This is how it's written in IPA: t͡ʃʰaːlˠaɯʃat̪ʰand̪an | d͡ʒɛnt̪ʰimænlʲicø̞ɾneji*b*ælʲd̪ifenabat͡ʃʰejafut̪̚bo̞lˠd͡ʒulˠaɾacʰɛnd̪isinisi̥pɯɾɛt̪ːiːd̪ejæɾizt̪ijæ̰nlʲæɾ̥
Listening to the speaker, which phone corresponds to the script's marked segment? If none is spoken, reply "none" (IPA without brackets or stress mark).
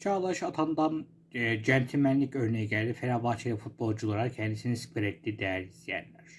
ɟ